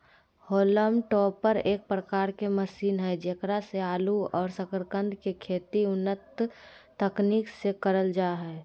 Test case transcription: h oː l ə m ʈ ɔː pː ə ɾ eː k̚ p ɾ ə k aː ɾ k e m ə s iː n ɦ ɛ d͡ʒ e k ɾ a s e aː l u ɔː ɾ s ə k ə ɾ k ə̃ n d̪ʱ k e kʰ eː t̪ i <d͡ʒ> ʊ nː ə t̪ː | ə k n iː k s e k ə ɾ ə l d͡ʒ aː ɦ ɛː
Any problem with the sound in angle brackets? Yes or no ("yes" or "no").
yes